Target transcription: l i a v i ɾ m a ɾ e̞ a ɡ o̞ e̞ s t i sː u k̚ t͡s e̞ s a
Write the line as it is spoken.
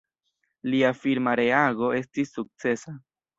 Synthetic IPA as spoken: l i a f i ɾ m a ɾ e̞ a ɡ o̞ e̞ s t i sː u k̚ t͡s e̞ s a